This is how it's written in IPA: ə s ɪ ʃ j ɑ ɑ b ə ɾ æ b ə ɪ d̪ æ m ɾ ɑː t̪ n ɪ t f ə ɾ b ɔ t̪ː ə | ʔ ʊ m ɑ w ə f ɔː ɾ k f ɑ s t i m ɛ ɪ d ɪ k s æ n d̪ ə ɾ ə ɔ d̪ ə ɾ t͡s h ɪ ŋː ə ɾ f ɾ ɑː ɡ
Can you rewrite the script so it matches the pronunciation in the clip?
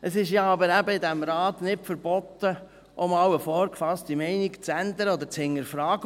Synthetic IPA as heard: ə s ɪ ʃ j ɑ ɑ b ə ɾ æ b ə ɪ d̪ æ m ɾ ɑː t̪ n ɪ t f ə ɾ b ɔ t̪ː ə | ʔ ʊ m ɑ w ə f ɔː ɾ k f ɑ s t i m ɛ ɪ n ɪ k t͡s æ n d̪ ə ɾ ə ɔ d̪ ə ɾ t͡s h ɪ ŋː ə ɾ f ɾ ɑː ɡ